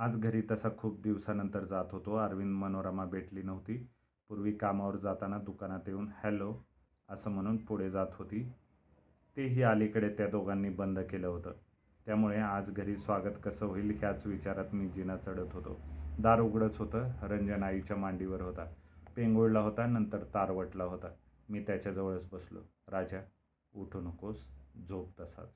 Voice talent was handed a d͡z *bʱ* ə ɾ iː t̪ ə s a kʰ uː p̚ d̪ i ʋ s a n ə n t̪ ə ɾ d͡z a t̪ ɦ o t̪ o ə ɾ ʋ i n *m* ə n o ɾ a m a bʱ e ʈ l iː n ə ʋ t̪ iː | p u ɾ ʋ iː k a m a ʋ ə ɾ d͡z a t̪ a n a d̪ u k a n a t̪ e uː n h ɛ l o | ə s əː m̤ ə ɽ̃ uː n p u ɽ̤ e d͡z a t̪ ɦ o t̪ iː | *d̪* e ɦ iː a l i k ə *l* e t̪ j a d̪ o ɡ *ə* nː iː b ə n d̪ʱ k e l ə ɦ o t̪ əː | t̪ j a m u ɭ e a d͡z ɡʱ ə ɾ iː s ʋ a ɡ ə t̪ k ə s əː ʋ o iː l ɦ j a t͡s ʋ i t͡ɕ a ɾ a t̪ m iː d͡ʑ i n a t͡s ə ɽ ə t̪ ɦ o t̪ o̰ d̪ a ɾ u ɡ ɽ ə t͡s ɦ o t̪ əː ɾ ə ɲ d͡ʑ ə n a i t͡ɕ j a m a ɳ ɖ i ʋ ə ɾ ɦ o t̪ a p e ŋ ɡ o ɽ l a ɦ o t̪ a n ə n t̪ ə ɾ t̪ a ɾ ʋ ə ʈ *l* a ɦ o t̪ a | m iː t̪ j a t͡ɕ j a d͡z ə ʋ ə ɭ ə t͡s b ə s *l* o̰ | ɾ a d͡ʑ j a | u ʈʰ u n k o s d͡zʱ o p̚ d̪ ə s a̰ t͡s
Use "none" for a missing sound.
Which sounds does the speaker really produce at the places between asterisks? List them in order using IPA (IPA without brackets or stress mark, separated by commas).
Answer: ɡʱ, m, t̪, ɽ, a, l, l